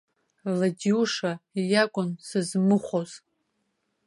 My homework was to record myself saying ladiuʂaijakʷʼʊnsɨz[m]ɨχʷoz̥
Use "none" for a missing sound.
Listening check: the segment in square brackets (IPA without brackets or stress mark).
m